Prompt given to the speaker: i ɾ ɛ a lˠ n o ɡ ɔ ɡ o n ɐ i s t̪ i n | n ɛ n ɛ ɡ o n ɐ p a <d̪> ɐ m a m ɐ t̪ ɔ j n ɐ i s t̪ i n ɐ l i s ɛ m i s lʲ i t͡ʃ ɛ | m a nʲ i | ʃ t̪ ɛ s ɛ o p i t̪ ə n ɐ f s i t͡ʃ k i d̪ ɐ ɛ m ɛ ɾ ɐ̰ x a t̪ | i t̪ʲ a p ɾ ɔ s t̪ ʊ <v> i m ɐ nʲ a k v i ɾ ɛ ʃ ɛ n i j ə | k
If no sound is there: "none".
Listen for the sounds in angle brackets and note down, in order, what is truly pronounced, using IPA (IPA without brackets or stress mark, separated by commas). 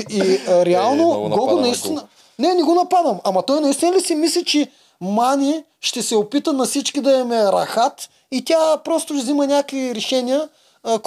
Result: d̪, z